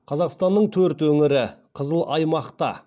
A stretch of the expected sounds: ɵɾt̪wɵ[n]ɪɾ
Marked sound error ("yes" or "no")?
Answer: yes